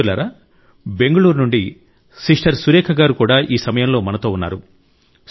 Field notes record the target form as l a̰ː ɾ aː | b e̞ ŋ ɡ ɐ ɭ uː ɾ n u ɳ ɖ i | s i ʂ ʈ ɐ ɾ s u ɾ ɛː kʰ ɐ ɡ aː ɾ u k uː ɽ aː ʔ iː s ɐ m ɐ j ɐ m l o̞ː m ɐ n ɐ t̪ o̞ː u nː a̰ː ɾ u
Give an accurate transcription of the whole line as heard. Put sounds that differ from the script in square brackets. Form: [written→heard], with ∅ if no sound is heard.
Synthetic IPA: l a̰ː ɾ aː | b e̞ ŋ ɡ ɐ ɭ uː ɾ n u ɳ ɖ i | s i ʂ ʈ ɐ ɾ s u ɾ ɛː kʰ ɐ ɡ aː ɾ u k uː ɽ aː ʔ iː s ɐ m ɐ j ɐ m l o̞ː m ɐ n ɐ t̪ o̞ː u nː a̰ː ɾ u